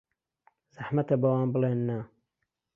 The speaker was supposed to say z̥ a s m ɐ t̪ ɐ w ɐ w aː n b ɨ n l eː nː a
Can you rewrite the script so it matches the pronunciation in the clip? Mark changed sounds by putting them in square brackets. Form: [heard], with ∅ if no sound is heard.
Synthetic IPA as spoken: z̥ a [ħ] m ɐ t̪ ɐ [b] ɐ w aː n b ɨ [∅] l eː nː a